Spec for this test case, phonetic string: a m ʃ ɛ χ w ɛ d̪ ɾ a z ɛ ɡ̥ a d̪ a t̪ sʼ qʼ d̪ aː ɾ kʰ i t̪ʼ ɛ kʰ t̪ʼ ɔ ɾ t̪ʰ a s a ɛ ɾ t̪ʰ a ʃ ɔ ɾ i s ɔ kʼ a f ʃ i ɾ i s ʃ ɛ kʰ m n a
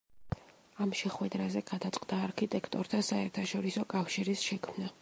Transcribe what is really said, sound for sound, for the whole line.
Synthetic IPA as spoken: a m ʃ ɛ χ w ɛ d̪ ɾ a z ɛ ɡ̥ a d̪ a t̪ sʼ qʼ d̪ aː ɾ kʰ i t̪ʼ ɛ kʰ t̪ʼ ɔ ɾ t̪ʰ a s a ɛ ɾ t̪ʰ a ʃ ɔ ɾ i s ɔ kʼ a f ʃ i ɾ i s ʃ ɛ kʰ m n a

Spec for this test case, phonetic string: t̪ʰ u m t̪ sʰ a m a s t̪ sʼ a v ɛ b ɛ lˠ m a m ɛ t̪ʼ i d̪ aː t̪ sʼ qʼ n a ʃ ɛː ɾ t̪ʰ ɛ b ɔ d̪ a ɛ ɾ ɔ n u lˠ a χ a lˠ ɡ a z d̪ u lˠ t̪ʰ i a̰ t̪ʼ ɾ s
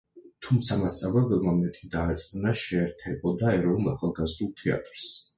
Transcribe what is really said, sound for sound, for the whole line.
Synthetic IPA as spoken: t̪ʰ u m t̪ sʰ a m a s t̪ sʼ a v ɛ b ɛ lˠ m a m ɛ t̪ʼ i d̪ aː t̪ sʼ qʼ n a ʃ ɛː ɾ t̪ʰ ɛ b ɔ d̪ a ɛ ɾ ɔ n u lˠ a χ a lˠ ɡ a z d̪ u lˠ t̪ʰ ɛ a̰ t̪ʼ ɾ s

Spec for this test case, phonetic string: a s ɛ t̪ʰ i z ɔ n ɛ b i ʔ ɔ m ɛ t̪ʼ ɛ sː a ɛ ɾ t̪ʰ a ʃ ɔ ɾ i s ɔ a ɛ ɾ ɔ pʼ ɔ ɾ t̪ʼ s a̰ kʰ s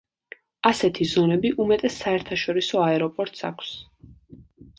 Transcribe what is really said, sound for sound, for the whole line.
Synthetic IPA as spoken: a s ɛ t̪ʰ i z ɔ n ɛ b i ʔ u m ɛ t̪ʼ ɛ sː a ɛ ɾ t̪ʰ a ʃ ɔ ɾ i s ɔ a ɛ ɾ ɔ pʼ ɔ ɾ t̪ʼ s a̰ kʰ s

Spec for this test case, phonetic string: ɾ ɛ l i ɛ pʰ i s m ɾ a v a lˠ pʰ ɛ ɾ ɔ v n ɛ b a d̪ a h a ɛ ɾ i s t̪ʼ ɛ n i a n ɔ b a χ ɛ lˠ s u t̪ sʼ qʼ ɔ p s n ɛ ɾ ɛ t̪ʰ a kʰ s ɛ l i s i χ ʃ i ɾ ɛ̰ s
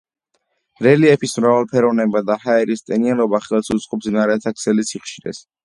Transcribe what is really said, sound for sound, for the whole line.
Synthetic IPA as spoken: ɾ ɛ l i ɛ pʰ i s m ɾ a v a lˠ pʰ ɛ ɾ ɔ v n ɛ b a d̪ a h a ɛ ɾ i s t̪ʼ ɛ n i a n ɔ b a χ ɛ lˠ s u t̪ sʼ qʼ ɔ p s n a ɾ ɛ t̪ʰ a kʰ s ɛ l i s i χ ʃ i ɾ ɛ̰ s

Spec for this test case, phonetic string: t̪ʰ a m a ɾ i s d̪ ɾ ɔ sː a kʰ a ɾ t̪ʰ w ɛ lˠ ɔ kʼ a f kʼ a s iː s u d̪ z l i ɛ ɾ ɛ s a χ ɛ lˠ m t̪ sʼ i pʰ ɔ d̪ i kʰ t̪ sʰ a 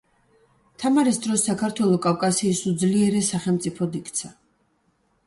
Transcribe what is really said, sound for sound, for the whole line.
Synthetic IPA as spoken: t̪ʰ a m a ɾ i s d̪ ɾ ɔ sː a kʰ a ɾ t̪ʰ w ɛ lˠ ɔ kʼ a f kʼ a s iː s u d̪ z l i ɛ ɾ ɛ s a χ ɛ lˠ m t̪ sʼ i pʰ ɔ d̪ i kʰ t̪ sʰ a

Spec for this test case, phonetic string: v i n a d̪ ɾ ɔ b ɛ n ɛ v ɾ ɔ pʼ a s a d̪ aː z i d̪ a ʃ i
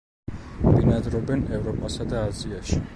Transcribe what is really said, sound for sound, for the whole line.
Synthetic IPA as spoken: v i n a d̪ ɾ ɔ b ɛ n ɛ v ɾ ɔ pʼ a s a d̪ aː z i a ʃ i

